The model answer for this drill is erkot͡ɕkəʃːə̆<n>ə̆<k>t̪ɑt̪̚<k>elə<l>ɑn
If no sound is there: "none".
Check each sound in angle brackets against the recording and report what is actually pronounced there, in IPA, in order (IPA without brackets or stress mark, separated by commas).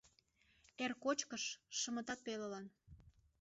m, none, p, l